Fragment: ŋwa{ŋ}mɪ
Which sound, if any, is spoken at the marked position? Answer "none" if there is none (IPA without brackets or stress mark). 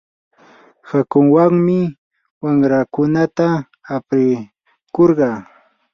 ŋ